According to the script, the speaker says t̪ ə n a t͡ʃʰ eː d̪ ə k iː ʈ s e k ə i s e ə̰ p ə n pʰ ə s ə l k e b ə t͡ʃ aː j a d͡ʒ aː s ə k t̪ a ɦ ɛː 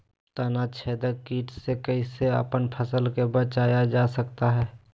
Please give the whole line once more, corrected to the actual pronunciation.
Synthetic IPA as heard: t̪ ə n a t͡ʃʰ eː d̪ ə k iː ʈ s e k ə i s e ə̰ p ə n pʰ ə s ə l k e b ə t͡ʃ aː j a d͡ʒ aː s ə k t̪ a ɦ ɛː

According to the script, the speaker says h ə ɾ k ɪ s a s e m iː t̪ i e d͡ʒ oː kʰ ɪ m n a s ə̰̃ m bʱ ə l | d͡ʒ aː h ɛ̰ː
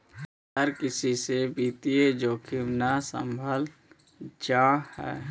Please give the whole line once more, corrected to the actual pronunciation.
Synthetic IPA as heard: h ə ɾ k ɪ s i s e b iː t̪ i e d͡ʒ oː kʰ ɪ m n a s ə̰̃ m bʱ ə l | d͡ʒ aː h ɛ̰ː

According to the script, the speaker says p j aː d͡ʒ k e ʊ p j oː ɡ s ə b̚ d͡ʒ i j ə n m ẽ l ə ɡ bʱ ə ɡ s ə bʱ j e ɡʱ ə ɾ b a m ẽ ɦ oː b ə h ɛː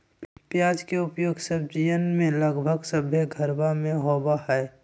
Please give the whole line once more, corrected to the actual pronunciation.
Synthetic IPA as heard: p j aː d͡ʒ k e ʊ p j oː ɡ s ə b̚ d͡ʒ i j ə n m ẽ l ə ɡ bʱ ə ɡ s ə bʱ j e ɡʱ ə ɾ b a m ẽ ɦ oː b a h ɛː

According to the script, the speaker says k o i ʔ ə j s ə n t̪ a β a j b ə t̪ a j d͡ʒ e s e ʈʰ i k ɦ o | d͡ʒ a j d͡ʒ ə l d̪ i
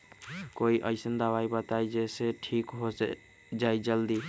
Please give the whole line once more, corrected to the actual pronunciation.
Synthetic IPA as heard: k o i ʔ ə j s ə n d̪ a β a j b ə t̪ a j d͡ʒ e s e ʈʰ i k ɦ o | d͡ʒ a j d͡ʒ ə l d̪ i

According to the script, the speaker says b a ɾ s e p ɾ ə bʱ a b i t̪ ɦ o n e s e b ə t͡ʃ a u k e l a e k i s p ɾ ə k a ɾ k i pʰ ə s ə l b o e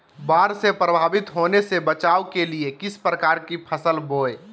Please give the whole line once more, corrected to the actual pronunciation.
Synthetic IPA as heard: b a ɾ s e p ɾ ə bʱ a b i t̪ ɦ o n e s e b ə t͡ʃ a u k e l i e k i s p ɾ ə k a ɾ k i pʰ ə s ə l b o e

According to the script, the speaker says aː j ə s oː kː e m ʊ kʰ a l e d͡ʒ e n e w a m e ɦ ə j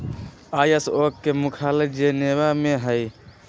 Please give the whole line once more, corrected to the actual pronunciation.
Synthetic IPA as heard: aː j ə s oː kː e m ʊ kʰ a l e d͡ʒ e n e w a m e ɦ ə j

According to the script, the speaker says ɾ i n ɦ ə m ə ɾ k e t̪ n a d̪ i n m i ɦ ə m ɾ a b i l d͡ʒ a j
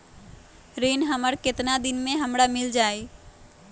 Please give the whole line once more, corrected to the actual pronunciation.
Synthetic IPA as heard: ɾ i n ɦ ə m ə ɾ k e t̪ n a d̪ i n m e ɦ ə m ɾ a m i l d͡ʒ a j

